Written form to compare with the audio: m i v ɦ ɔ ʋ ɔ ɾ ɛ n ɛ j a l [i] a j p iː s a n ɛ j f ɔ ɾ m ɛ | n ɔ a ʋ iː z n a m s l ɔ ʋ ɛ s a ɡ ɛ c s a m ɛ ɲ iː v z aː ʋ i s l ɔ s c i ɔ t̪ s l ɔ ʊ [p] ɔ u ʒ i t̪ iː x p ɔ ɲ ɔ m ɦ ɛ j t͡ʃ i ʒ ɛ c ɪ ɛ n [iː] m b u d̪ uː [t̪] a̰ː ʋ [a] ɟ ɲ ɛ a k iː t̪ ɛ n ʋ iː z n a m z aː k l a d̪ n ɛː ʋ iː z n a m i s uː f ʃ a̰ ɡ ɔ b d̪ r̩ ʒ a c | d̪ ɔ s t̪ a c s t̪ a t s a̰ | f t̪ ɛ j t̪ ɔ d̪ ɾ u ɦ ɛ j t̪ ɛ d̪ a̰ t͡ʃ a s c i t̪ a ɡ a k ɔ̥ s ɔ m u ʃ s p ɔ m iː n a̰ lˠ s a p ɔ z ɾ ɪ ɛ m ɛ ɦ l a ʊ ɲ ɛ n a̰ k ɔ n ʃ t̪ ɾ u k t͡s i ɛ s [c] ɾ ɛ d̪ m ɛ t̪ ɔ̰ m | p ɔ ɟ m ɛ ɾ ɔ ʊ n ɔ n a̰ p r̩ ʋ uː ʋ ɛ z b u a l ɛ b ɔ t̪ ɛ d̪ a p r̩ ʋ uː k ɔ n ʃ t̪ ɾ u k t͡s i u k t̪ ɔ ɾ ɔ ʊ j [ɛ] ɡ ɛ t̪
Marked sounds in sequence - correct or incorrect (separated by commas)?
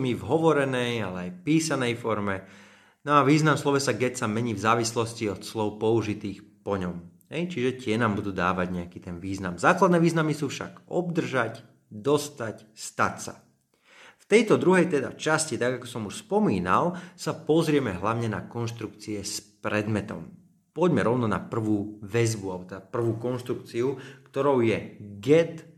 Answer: incorrect, correct, incorrect, incorrect, correct, incorrect, correct